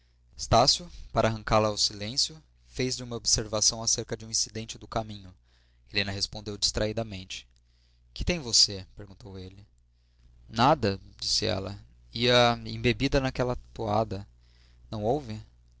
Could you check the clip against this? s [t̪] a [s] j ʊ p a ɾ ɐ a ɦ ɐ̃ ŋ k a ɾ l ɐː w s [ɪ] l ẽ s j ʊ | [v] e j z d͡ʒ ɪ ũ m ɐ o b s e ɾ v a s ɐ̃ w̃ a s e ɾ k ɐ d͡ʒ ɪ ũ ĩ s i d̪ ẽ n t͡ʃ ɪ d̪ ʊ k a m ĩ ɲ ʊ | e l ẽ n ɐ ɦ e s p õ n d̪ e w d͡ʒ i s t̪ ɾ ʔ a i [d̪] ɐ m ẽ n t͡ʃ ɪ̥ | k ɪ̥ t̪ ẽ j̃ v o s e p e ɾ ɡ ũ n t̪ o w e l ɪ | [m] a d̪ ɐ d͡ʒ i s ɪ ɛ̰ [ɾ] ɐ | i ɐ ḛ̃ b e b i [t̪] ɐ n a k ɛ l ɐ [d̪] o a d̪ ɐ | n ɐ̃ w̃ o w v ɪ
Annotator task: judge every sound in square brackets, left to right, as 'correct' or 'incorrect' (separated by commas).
correct, correct, incorrect, incorrect, correct, incorrect, incorrect, incorrect, incorrect